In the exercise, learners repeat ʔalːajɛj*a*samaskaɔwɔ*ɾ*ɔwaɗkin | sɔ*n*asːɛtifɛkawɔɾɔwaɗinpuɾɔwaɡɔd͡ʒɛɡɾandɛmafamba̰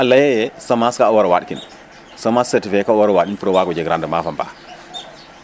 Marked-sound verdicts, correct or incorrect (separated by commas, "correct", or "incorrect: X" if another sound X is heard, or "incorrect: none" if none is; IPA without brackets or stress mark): incorrect: ɛ, correct, incorrect: m